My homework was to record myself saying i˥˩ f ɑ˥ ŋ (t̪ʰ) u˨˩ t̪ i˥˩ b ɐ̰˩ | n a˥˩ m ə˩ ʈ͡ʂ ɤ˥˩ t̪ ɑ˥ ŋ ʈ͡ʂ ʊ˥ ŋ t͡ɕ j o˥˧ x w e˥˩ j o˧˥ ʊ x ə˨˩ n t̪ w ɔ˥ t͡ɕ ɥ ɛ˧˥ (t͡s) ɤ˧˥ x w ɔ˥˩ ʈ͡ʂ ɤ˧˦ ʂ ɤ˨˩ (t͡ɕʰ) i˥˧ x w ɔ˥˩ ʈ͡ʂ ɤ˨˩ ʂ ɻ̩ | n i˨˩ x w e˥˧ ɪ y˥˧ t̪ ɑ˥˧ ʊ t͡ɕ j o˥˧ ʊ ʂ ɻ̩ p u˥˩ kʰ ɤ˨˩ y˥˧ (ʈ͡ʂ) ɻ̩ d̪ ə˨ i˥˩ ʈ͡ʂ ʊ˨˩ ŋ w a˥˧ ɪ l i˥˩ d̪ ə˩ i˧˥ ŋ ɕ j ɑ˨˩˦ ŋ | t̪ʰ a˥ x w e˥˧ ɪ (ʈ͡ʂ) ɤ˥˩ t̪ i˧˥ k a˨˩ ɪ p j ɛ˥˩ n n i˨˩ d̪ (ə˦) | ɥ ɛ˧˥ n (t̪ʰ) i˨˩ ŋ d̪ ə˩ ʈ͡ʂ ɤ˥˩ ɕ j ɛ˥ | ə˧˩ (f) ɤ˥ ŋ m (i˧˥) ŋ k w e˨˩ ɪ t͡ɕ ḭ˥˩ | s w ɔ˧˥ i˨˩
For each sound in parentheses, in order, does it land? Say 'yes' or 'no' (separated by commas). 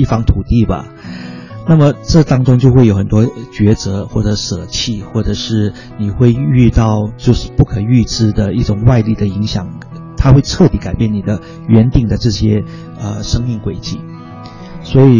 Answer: yes, yes, yes, yes, no, yes, no, no, no